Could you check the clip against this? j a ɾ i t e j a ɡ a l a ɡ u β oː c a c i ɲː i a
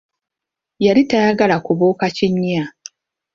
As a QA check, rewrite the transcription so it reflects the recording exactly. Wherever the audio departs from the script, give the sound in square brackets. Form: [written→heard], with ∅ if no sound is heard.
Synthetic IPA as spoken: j a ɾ i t [e→a] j a ɡ a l a [ɡ→k] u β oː [c→k] a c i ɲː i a

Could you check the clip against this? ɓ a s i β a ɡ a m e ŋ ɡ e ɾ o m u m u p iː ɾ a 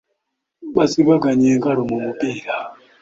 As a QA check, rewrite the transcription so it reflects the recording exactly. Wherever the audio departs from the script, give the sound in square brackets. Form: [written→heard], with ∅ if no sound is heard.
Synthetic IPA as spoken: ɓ a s i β a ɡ a [m→ɲ] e ŋ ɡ [e→a] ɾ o m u m u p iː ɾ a

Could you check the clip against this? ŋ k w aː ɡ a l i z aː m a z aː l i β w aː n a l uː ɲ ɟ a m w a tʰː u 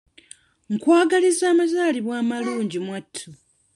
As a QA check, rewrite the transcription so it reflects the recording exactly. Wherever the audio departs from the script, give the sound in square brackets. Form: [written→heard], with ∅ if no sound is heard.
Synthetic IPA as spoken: ŋ k w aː ɡ a l i z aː m a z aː l i β w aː [n→m] a l uː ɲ ɟ [a→i] m w a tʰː u

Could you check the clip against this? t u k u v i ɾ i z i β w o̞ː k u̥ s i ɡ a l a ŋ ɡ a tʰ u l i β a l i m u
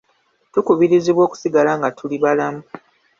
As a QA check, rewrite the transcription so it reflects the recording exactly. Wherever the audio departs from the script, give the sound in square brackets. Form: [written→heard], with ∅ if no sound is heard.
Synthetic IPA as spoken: t u k u [v→β] i ɾ i z i β w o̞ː k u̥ s i ɡ a l a ŋ ɡ a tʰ u l i β a l [i→a] m u

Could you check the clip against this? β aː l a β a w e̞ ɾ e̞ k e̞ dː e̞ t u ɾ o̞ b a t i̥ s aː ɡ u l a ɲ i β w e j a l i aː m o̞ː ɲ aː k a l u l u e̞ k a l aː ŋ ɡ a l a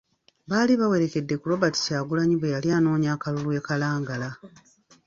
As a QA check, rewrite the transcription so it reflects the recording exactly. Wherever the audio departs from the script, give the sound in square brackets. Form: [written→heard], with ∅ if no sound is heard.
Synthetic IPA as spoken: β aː l [a→i] β a w e̞ ɾ e̞ k e̞ dː e̞ [t→k] u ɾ o̞ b a t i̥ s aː ɡ u l a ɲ i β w e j a l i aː [m→n] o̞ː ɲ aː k a l u l u e̞ k a l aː ŋ ɡ a l a

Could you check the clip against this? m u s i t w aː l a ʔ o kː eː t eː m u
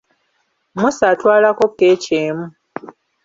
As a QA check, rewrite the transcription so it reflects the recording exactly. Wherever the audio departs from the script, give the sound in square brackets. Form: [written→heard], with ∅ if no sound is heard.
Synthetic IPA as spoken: m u s [i→a] t w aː l a [ʔ→k] o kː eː [t→c] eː m u

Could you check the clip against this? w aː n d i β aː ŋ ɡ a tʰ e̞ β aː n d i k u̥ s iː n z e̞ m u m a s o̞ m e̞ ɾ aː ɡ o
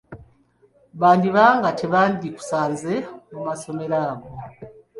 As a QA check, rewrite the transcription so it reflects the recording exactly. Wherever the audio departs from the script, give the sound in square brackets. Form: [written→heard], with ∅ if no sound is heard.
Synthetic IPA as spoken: [w→β] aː n d i β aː ŋ ɡ a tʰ e̞ β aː n d i k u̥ s [iː→aː] n z e̞ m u m a s o̞ m e̞ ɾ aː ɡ o

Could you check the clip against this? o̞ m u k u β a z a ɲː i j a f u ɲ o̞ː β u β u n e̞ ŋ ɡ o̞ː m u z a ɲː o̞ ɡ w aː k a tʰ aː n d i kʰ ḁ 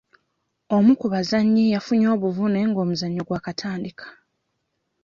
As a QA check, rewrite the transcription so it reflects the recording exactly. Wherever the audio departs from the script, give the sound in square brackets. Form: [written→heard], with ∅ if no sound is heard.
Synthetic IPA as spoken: o̞ m u k u β a z a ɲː i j a f u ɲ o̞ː β u [β→v] u n e̞ ŋ ɡ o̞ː m u z a ɲː o̞ ɡ w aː k a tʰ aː n d i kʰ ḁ

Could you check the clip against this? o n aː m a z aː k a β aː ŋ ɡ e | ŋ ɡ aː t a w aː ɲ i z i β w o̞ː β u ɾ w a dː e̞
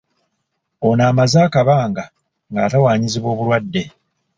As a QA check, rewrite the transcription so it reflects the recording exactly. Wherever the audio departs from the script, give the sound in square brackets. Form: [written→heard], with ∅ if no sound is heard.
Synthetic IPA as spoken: o n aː m a z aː k a β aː ŋ ɡ [e→a] | ŋ ɡ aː t a w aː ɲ i z i β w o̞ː β u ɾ w a dː e̞

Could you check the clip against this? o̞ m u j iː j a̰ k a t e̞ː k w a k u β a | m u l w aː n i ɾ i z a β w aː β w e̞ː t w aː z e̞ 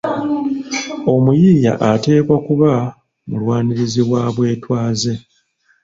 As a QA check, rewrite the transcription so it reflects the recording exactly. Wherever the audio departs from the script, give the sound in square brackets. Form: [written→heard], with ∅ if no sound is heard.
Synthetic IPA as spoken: o̞ m u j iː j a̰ [k→ʔ] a t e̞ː k w a k u β a | m u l w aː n i ɾ i z [a→i] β w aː β w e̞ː t w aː z e̞

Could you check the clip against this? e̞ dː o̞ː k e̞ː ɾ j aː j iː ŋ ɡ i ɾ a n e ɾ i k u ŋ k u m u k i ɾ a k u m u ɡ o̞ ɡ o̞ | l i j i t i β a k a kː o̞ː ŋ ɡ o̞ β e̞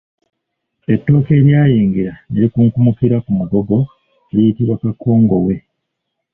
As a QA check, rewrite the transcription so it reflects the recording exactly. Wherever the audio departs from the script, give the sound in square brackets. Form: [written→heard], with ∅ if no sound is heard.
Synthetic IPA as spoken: e̞ [dː→tː] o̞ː k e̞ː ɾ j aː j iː ŋ ɡ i ɾ a n e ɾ i k u ŋ k u m u k i ɾ a k u m u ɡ o̞ ɡ o̞ | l i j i t i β a k a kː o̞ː ŋ ɡ o̞ [β→w] e̞

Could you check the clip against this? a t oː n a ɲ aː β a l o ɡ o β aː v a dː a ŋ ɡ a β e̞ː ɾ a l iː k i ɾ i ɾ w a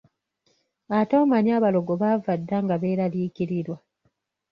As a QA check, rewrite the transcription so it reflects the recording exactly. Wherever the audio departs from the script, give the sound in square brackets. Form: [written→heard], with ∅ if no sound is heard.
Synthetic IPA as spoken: a t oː [n→m] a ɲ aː β a l o ɡ o β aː v a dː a ŋ ɡ a β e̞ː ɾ a l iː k i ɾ i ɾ w a

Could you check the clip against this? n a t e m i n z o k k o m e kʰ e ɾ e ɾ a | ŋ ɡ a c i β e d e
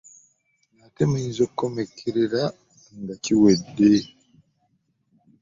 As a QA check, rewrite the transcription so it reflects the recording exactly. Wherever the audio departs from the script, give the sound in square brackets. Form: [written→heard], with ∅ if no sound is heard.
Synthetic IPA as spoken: n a t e m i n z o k k o m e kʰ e ɾ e ɾ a | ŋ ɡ a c i [β→w] e d e

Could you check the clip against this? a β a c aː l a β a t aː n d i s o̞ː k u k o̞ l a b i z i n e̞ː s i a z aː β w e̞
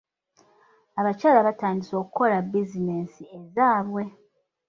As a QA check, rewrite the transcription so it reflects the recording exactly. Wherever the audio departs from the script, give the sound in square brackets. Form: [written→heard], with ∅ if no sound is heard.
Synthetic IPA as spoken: a β a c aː l a β a t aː n d i s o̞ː k u k o̞ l a b i z i n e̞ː s i [a→e] z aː β w e̞

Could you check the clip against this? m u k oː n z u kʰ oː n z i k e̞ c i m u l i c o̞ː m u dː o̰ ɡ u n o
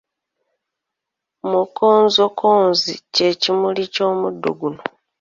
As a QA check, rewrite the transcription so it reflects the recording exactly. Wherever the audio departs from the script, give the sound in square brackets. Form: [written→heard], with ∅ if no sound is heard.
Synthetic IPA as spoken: m u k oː n z [u→o] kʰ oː n z i [k→c] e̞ c i m u l i c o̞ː m u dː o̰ ɡ u n o

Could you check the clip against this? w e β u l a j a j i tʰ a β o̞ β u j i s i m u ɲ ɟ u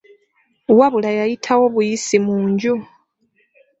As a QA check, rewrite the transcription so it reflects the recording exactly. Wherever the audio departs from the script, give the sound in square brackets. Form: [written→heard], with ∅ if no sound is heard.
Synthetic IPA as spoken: w [e→a] β u l a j a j i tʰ a [β→w] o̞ β u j i s i m [u→uː] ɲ ɟ u

